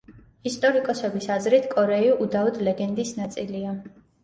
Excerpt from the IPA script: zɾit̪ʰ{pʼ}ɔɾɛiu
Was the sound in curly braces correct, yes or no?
no